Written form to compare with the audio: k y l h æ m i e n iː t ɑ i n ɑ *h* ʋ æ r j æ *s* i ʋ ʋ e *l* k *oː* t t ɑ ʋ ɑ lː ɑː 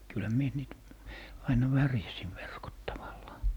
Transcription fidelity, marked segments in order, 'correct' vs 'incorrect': incorrect: none, correct, incorrect: r, incorrect: o

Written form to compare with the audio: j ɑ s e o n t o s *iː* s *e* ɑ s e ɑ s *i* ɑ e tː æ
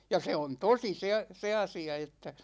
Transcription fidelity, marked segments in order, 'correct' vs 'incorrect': incorrect: i, correct, correct

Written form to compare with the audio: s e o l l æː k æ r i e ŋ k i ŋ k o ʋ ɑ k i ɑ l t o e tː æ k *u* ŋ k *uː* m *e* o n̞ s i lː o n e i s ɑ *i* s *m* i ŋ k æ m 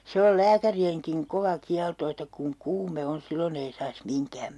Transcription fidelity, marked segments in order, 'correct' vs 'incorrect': correct, correct, correct, correct, correct

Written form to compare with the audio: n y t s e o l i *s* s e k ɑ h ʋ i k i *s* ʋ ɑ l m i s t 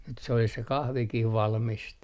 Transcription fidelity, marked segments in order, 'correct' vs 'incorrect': correct, incorrect: h

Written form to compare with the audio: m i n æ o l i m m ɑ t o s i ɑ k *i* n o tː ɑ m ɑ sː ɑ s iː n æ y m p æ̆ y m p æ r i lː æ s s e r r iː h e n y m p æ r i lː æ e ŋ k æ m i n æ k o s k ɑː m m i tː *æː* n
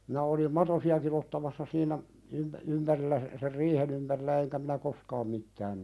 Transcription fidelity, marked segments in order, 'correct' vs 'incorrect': correct, correct

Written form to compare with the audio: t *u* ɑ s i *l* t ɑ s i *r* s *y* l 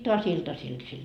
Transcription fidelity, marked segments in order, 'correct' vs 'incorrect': incorrect: o, correct, incorrect: l, incorrect: i

